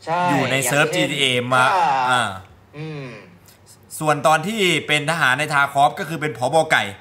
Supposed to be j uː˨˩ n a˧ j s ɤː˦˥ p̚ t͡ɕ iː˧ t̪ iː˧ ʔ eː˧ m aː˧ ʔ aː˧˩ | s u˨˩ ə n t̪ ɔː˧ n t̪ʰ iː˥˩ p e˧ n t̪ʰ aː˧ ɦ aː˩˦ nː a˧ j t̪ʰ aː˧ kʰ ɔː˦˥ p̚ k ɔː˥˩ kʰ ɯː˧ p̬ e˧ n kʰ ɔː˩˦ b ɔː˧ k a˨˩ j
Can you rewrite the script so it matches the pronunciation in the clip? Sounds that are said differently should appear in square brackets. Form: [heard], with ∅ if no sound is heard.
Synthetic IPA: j uː˨˩ n a˧ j s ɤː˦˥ p̚ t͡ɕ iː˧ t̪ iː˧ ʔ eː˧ m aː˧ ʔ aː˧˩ | s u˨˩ ə n t̪ ɔː˧ n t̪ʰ iː˥˩ p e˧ n t̪ʰ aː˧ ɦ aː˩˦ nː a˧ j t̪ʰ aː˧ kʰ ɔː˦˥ p̚ k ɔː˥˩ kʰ ɯː˧ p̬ e˧ n [pʰ] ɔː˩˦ b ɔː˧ k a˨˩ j